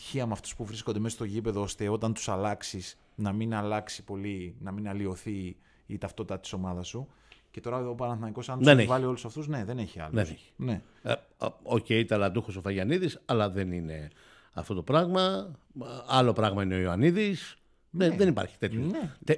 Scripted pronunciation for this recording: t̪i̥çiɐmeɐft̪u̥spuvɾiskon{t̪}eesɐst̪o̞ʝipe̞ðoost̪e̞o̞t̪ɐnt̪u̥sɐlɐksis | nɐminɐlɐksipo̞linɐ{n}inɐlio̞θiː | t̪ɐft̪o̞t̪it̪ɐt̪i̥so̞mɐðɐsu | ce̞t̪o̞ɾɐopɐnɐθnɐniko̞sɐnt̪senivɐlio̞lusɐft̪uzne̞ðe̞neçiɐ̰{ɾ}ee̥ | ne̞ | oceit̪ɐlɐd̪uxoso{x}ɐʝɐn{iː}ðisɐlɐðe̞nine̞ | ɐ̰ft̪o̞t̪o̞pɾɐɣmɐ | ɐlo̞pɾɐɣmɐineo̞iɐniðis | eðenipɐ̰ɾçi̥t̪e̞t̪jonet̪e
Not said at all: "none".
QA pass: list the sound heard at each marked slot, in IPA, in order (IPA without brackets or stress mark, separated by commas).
d̪, m, l, f, i